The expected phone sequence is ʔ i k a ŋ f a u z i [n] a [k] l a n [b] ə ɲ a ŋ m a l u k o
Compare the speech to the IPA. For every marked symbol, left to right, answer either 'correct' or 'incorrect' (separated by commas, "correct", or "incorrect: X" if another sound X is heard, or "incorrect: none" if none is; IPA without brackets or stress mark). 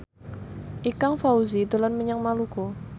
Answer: incorrect: d, incorrect: none, incorrect: m